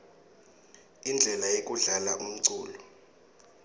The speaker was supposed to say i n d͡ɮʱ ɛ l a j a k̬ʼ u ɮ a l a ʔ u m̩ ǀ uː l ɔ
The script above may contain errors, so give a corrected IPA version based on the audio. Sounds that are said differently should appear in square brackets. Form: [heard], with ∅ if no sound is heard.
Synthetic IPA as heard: i n d͡ɮʱ ɛ l a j [e] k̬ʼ u ɮ a l a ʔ u m̩ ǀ uː l ɔ